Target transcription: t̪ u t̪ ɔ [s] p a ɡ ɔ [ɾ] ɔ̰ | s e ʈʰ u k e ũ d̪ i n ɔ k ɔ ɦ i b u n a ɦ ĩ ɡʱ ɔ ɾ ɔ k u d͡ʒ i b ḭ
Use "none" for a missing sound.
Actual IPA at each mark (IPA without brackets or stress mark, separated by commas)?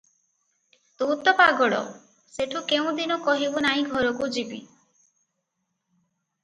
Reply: none, ɽ